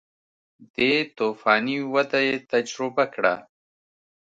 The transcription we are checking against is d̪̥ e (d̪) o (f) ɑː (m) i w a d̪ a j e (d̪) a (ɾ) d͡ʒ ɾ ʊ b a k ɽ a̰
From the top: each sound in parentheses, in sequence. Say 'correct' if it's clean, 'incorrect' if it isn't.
incorrect, correct, incorrect, incorrect, incorrect

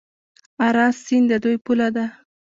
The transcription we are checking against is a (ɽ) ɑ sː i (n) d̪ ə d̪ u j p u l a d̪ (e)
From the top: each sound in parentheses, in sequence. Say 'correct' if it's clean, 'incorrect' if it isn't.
incorrect, correct, incorrect

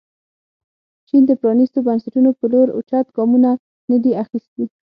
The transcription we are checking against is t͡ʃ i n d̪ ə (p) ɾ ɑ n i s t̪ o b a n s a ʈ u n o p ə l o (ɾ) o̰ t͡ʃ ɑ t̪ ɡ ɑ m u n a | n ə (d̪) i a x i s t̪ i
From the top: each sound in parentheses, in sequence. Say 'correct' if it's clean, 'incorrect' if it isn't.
correct, correct, correct

